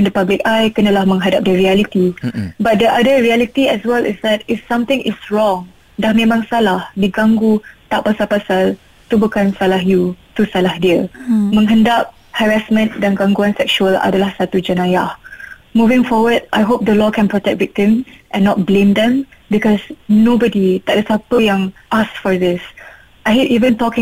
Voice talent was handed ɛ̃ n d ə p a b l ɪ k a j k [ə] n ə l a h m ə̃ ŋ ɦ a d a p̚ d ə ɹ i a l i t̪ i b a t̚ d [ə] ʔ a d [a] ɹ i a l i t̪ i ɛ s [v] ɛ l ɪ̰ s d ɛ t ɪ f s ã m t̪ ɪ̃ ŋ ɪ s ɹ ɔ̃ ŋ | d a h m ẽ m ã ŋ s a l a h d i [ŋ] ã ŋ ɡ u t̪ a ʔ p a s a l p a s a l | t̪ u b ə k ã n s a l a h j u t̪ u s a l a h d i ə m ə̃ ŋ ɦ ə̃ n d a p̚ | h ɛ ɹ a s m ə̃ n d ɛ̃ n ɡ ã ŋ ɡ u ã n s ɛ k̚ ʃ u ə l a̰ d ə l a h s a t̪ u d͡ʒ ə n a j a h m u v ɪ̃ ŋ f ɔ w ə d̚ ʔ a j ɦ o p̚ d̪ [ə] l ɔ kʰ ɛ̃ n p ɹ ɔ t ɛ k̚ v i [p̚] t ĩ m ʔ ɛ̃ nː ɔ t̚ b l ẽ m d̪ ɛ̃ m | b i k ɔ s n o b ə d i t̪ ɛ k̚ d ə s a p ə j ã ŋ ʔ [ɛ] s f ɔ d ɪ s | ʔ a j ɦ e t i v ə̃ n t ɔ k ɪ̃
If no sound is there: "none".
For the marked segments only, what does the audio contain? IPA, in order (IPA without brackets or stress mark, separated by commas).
ə, ə, ə, w, ɡ, ə, k̚, a